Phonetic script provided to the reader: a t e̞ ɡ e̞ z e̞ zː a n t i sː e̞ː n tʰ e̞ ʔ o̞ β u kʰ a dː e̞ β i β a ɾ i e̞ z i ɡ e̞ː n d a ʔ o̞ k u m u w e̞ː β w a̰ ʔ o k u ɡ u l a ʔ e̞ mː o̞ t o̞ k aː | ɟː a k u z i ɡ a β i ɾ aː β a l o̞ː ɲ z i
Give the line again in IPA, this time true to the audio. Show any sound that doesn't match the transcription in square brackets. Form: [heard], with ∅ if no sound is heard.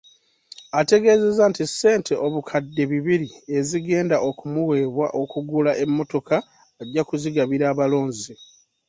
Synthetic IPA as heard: a t e̞ ɡ e̞ z e̞ [z] a n t i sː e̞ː n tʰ e̞ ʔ o̞ β u kʰ a dː e̞ β i β [i] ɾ i e̞ z i ɡ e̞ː n d a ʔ o̞ k u m u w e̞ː β w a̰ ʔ o k u ɡ u l a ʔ e̞ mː o̞ t o̞ k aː | ɟː a k u z i ɡ a β i ɾ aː β a l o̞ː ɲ z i